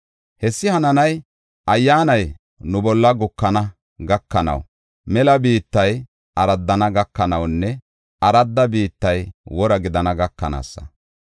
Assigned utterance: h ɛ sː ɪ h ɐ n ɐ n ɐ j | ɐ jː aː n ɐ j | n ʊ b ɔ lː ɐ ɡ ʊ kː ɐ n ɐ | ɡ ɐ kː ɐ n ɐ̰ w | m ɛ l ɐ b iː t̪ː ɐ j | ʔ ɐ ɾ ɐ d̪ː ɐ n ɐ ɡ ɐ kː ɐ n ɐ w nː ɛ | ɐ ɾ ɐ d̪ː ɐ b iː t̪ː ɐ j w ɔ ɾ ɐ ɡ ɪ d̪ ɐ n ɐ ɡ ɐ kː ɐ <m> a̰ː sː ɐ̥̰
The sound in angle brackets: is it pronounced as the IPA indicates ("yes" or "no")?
no